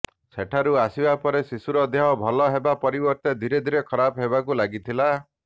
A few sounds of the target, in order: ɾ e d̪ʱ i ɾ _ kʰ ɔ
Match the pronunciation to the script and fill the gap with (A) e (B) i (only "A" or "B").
A